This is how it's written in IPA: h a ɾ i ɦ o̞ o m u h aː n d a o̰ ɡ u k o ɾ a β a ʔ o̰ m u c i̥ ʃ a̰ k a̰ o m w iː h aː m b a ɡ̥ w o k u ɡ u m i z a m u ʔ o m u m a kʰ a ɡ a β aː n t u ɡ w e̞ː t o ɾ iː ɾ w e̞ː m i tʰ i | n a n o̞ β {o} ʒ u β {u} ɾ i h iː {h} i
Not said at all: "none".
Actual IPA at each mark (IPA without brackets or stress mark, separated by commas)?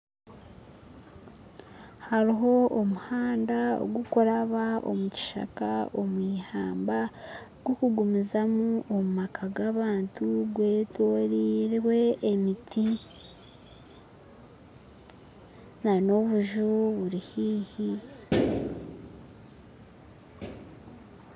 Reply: u, u, h